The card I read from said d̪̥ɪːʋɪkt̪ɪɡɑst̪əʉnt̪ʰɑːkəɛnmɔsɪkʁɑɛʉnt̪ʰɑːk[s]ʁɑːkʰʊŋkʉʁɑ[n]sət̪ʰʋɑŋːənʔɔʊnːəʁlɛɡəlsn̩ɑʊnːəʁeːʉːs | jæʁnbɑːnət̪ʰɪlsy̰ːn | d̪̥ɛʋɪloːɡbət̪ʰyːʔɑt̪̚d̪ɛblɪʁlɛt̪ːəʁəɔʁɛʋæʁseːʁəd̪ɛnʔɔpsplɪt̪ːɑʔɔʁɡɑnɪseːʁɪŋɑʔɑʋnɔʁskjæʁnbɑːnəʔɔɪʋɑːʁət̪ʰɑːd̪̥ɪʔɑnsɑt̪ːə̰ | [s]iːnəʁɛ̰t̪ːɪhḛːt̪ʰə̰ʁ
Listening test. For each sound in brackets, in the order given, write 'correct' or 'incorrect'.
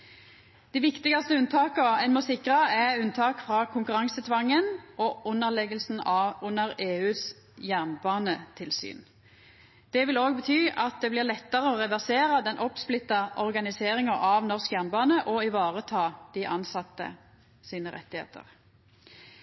incorrect: f, incorrect: ŋ, correct

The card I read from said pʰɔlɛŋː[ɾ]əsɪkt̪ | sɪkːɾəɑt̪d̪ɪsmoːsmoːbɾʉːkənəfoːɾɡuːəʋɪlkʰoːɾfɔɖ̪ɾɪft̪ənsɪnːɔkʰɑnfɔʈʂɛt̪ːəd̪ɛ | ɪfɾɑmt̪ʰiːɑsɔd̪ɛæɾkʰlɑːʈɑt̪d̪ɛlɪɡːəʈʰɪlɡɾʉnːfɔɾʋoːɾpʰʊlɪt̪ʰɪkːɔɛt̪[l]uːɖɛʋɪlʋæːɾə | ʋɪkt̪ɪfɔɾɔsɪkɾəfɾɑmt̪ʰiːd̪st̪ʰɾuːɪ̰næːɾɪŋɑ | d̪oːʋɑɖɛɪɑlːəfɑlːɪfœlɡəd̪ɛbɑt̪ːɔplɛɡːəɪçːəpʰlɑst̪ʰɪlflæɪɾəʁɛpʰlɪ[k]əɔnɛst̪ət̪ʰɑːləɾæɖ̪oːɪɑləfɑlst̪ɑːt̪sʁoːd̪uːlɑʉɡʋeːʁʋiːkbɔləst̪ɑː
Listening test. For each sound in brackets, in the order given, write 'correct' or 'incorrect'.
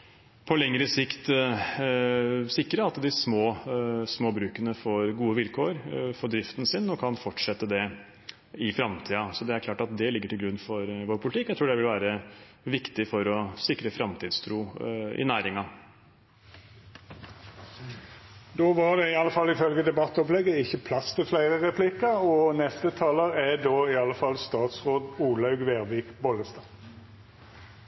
correct, incorrect: ɾ, correct

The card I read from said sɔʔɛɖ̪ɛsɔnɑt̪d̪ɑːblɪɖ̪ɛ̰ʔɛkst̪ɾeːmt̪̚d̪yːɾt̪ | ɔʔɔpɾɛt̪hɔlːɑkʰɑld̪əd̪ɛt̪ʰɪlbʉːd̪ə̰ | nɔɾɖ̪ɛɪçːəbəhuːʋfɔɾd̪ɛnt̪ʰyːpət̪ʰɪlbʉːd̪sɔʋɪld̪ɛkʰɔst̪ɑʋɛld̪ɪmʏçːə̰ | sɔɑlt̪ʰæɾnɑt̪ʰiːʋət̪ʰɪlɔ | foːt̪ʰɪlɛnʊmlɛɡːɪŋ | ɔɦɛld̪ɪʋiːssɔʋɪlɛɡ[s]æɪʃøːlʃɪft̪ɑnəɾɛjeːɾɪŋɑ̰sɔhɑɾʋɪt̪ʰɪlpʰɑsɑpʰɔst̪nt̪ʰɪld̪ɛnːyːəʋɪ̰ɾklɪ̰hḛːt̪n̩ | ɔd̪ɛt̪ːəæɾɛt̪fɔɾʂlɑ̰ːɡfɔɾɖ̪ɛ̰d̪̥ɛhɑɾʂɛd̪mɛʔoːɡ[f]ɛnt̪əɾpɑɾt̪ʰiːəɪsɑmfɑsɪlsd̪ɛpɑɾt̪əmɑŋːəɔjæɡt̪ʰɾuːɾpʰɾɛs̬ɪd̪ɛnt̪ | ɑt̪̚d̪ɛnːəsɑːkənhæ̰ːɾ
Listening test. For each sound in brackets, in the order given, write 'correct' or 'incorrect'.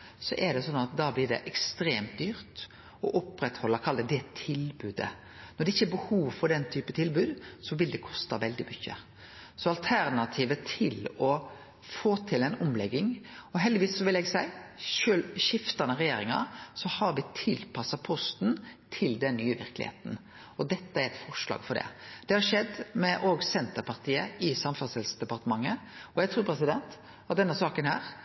correct, incorrect: s

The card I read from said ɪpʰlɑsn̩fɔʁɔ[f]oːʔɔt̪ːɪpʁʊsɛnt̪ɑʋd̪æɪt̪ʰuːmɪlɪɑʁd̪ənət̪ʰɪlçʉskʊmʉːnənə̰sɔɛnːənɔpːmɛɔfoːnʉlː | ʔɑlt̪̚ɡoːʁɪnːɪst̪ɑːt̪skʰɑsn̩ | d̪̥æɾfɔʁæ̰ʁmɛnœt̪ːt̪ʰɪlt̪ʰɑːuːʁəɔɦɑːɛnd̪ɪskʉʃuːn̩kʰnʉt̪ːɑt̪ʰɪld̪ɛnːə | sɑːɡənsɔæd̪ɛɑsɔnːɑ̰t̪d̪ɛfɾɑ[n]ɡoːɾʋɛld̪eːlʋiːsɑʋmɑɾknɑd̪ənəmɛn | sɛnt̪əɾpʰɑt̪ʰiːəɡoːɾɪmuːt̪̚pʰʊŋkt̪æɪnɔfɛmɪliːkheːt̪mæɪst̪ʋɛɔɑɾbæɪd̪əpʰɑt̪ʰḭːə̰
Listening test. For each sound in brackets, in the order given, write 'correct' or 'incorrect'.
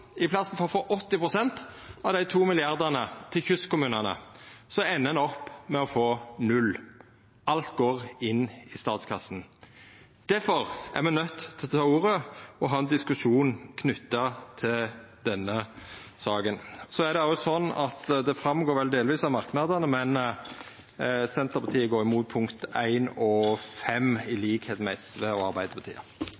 correct, incorrect: m

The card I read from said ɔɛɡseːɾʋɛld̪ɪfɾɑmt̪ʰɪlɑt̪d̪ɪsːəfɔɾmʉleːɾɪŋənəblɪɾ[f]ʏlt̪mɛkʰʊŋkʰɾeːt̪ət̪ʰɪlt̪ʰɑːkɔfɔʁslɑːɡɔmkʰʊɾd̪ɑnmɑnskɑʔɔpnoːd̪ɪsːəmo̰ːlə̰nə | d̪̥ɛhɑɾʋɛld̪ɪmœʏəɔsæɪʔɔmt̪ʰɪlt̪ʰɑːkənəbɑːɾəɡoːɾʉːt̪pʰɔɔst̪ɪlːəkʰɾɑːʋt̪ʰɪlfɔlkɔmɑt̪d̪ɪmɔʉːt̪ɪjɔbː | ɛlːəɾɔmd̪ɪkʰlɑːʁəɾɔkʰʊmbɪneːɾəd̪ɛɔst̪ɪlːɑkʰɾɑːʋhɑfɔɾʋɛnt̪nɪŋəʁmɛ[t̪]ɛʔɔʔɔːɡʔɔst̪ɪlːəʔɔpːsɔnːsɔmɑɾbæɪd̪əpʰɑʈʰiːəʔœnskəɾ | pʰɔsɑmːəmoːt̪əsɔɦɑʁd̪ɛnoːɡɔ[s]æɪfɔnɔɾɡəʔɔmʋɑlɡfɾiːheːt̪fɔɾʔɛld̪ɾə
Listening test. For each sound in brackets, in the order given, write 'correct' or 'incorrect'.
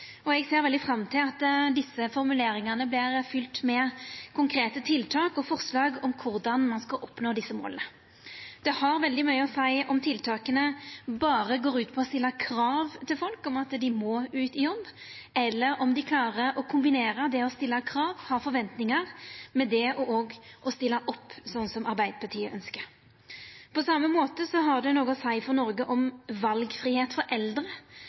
correct, incorrect: d̪, correct

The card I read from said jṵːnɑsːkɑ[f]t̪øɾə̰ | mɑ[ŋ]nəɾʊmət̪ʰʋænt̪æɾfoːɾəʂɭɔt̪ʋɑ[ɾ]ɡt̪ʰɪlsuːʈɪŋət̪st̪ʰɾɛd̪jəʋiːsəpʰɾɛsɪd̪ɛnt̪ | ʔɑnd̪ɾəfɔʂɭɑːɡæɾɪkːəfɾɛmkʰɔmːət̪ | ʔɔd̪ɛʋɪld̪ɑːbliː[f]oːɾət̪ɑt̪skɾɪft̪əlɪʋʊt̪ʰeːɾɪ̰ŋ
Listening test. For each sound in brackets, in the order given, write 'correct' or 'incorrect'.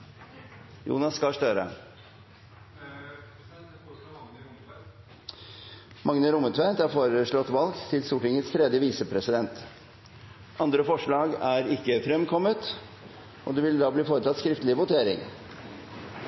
incorrect: ʂ, correct, incorrect: l, correct

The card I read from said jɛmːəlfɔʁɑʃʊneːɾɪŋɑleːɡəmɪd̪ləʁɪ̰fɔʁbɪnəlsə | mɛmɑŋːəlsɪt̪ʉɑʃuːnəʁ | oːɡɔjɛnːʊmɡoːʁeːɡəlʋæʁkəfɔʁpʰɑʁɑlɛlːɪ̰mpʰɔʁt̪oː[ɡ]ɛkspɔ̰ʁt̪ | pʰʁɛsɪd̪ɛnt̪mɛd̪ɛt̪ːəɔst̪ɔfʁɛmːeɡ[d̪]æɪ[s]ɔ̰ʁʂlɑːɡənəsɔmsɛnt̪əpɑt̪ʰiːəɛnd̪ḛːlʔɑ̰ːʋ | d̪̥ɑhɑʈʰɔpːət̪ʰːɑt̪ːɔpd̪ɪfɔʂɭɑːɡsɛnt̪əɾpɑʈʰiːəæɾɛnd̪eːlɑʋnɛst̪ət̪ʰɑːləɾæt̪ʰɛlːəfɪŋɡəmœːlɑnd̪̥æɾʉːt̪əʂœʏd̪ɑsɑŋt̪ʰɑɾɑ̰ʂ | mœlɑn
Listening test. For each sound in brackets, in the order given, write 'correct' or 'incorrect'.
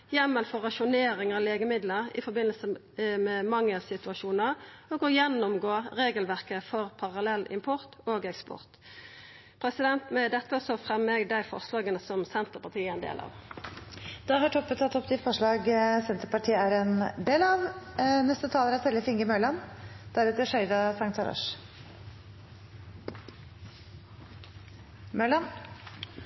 correct, correct, incorrect: f

